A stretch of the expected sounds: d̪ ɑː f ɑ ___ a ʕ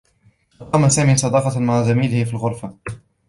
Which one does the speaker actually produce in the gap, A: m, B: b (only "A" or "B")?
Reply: A